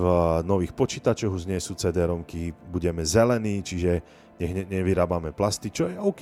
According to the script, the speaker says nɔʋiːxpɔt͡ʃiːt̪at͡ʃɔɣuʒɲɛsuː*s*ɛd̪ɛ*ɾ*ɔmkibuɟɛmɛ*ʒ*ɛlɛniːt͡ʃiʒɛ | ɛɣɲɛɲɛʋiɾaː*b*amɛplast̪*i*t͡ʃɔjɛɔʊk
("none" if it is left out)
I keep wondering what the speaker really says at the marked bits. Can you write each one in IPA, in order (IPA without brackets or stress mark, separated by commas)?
t͡s, ɾ, z, b, i